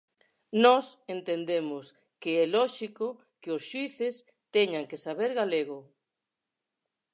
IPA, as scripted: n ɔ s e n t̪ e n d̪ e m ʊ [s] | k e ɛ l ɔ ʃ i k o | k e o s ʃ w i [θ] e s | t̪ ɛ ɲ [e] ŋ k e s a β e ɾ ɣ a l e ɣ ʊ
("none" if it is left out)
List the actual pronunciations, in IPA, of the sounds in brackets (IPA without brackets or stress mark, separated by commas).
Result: s, θ, a